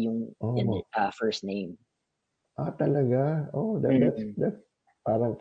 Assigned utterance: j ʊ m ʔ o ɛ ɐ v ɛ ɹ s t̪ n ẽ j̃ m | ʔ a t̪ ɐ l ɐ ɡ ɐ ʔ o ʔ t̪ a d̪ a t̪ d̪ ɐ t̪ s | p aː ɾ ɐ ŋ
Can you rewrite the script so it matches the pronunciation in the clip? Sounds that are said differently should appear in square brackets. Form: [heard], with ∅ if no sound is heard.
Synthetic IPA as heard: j ʊ [ŋ] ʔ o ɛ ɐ [f] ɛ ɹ s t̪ n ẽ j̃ m | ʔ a t̪ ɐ l ɐ ɡ [a] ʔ o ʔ [d̪] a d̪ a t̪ d̪ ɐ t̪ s | p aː ɾ ɐ ŋ